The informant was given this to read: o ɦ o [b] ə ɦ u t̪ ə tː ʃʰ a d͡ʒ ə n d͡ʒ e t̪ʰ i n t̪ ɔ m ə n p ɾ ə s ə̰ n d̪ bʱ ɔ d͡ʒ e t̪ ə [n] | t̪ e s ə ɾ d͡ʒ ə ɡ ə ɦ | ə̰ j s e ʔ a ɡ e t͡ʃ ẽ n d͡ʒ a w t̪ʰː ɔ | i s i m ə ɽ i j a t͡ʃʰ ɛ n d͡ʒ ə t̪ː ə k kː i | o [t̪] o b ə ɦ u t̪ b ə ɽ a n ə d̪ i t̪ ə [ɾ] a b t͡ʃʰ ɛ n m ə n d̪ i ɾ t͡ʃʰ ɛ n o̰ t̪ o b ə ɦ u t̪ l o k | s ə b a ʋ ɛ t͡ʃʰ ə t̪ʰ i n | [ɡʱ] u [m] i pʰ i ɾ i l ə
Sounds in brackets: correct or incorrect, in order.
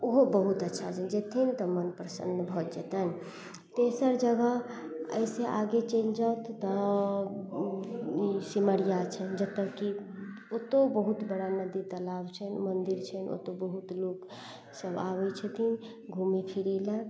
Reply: correct, correct, correct, incorrect, correct, correct

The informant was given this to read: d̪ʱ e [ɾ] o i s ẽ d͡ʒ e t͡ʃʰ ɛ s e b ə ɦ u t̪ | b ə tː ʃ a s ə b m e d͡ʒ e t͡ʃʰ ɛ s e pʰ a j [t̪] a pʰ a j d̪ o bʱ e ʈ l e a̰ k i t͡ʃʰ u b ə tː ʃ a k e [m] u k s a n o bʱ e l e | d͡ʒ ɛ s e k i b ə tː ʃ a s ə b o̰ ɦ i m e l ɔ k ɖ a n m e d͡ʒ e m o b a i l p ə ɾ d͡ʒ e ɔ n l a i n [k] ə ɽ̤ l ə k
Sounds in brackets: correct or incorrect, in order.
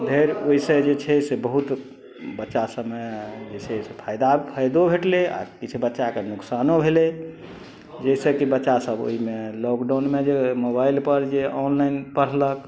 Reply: correct, incorrect, incorrect, incorrect

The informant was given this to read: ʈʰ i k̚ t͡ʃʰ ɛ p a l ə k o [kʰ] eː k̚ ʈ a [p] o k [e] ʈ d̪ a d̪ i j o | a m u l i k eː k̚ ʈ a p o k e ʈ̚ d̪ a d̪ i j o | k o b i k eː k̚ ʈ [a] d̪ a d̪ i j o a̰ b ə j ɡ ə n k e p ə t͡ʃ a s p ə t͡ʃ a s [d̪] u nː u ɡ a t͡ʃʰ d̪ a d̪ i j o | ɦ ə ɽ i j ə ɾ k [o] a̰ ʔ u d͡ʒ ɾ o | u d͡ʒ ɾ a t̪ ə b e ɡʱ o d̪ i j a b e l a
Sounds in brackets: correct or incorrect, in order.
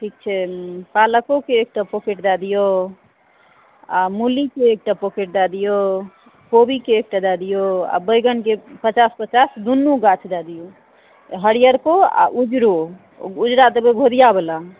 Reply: incorrect, correct, correct, correct, correct, correct

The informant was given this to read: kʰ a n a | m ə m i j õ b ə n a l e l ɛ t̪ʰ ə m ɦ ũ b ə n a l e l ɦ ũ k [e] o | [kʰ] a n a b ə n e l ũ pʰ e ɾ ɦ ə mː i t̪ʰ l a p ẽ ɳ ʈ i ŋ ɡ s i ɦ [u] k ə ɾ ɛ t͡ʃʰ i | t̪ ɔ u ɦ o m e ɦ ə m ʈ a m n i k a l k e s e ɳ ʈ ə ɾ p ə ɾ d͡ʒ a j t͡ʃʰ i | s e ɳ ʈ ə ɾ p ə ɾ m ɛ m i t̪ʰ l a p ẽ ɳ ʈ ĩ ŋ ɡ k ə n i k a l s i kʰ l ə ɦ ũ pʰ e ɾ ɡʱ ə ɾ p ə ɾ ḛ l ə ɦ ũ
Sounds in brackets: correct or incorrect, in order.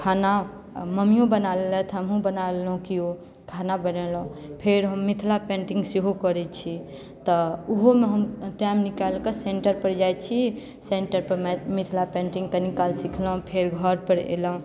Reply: incorrect, correct, incorrect

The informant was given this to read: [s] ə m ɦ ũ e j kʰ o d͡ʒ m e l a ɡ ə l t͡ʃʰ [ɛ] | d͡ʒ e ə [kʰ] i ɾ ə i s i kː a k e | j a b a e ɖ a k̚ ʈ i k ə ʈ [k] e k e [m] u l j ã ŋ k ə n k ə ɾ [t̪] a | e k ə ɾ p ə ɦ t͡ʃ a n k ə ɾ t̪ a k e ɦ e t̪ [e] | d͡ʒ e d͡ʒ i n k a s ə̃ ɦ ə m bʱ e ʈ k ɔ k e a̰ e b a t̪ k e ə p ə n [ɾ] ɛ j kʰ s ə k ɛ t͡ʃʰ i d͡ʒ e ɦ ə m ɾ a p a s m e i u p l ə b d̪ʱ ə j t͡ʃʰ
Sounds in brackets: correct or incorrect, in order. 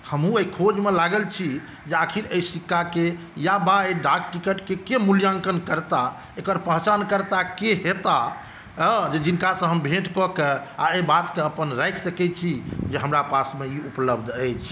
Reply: incorrect, incorrect, correct, correct, correct, correct, incorrect, correct

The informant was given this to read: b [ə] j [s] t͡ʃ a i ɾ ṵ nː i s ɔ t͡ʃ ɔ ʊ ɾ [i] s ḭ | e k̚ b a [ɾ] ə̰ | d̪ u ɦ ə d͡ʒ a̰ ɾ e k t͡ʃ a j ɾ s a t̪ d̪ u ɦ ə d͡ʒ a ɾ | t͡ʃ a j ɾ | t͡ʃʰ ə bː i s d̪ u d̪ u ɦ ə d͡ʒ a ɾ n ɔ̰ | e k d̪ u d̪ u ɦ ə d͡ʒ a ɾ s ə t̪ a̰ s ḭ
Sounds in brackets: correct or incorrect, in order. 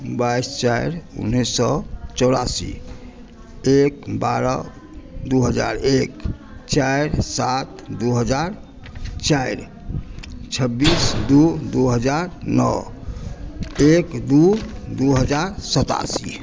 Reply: incorrect, correct, incorrect, correct

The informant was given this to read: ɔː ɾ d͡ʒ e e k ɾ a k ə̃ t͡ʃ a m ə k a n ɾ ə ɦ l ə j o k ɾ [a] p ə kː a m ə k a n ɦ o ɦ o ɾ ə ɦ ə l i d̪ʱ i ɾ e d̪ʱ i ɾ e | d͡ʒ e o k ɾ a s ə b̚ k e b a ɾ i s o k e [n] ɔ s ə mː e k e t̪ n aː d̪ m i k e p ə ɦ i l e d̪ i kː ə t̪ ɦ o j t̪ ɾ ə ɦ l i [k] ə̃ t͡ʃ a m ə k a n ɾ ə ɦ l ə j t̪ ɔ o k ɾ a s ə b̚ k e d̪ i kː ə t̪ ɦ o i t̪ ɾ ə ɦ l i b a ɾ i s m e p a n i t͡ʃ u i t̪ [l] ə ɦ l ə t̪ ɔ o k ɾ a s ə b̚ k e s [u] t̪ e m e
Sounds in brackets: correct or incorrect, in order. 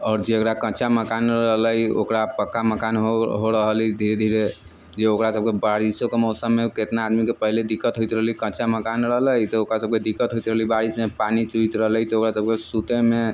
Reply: correct, incorrect, correct, incorrect, correct

